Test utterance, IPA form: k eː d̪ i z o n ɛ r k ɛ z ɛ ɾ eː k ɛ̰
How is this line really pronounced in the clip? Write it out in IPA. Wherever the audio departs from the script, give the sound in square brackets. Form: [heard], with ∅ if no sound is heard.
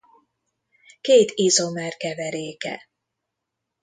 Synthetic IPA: k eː [t̪] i z o [m] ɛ r k ɛ [v] ɛ ɾ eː k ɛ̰